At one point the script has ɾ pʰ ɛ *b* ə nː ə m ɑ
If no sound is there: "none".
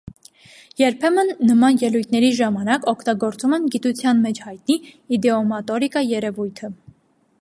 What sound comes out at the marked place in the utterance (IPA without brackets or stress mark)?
m